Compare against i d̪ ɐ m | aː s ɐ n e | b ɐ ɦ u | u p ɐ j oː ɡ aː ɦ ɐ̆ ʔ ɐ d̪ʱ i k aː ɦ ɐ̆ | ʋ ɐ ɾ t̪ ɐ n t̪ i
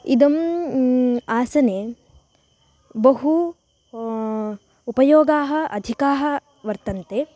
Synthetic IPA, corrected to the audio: i d̪ ɐ m | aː s ɐ n e | b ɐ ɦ u | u p ɐ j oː ɡ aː ɦ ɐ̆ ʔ ɐ d̪ʱ i k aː ɦ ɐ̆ | ʋ ɐ ɾ t̪ ɐ n t̪ e